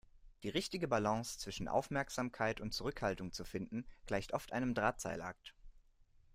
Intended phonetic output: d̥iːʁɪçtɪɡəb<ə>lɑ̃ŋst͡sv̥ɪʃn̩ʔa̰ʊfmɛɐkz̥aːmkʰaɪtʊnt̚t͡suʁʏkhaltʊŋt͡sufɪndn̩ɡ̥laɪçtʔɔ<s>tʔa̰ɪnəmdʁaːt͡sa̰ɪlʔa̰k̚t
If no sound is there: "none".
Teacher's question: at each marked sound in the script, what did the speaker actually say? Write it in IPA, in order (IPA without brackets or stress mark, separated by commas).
a, f